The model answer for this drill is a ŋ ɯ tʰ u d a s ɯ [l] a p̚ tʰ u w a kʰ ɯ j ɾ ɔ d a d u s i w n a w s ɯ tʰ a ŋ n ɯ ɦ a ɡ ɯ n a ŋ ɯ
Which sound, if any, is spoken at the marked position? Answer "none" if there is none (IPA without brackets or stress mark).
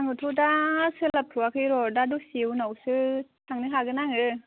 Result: l